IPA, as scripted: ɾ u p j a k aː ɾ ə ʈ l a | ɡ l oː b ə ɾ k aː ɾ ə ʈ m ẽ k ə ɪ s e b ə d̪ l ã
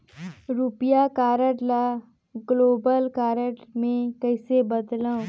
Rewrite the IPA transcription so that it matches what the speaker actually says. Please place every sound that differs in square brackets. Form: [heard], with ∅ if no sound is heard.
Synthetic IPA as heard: ɾ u p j a k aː ɾ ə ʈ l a | ɡ l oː b ə [l] k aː ɾ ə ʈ m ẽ k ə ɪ s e b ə d̪ l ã